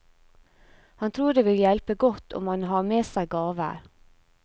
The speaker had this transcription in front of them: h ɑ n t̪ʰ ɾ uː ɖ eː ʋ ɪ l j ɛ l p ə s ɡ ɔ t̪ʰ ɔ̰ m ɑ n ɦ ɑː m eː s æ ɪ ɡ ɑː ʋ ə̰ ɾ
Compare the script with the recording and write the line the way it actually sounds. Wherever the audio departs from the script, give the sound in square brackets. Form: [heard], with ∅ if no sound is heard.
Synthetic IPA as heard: h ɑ n t̪ʰ ɾ uː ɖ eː ʋ ɪ l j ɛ l p ə [∅] ɡ ɔ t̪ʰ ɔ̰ m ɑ n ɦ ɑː m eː s æ ɪ ɡ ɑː ʋ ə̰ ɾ